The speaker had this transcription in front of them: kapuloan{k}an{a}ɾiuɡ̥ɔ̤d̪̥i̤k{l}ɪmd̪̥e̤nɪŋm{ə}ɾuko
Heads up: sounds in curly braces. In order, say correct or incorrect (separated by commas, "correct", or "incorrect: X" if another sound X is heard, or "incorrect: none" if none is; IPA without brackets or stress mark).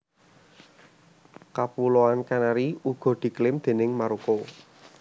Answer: correct, correct, correct, incorrect: a